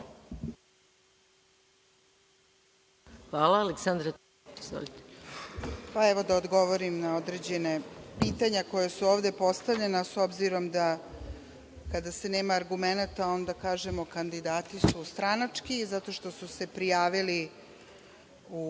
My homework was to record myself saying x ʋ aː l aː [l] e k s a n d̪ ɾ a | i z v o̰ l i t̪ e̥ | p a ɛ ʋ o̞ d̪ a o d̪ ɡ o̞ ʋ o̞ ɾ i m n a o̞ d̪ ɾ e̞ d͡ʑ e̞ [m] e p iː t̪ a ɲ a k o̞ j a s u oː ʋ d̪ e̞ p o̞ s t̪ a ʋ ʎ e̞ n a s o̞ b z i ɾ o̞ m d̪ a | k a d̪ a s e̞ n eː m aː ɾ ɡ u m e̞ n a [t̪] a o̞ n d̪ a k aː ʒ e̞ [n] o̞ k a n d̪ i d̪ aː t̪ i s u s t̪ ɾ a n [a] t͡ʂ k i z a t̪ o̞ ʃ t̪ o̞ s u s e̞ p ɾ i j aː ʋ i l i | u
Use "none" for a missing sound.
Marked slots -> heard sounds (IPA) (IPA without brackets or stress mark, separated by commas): l, n, t̪, m, a